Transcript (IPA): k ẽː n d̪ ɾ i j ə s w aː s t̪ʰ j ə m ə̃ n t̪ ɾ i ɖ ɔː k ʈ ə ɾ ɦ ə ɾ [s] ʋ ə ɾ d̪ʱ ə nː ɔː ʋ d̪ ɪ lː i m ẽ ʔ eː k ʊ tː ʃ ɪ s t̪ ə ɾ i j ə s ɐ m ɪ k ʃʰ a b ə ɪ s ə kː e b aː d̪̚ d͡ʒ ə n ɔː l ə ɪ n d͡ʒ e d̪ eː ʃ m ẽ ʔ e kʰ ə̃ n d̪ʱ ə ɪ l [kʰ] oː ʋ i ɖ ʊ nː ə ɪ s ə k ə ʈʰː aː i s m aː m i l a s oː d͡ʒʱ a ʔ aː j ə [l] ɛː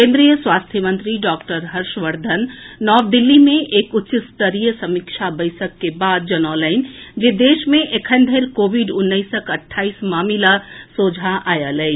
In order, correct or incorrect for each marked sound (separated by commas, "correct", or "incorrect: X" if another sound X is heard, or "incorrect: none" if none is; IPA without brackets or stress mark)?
incorrect: ʃ, incorrect: k, correct